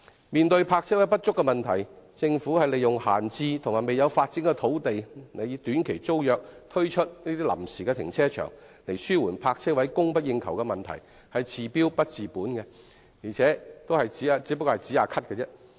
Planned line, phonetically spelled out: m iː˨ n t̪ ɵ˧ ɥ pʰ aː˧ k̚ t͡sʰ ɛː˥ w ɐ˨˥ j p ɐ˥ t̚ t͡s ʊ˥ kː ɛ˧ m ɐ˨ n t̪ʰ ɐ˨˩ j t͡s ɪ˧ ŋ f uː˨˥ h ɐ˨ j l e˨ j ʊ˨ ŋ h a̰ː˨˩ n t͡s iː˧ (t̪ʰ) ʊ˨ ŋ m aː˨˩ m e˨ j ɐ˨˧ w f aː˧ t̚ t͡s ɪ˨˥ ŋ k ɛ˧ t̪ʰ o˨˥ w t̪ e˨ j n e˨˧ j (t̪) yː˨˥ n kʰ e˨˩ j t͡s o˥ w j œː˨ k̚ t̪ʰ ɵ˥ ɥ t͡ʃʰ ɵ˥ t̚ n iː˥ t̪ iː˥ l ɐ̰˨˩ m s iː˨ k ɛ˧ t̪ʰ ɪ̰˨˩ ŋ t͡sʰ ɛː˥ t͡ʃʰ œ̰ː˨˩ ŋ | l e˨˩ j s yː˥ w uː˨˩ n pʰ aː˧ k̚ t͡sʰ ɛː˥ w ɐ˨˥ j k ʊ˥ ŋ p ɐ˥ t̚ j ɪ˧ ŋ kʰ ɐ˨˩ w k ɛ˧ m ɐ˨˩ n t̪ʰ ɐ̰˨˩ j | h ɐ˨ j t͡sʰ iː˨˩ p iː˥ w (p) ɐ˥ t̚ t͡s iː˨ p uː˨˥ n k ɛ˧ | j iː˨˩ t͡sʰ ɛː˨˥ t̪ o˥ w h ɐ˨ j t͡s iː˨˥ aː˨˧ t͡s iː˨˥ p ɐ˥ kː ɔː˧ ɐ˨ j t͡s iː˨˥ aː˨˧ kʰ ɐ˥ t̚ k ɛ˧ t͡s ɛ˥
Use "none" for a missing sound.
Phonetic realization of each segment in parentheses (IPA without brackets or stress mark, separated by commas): t̪ʰ, t̪, p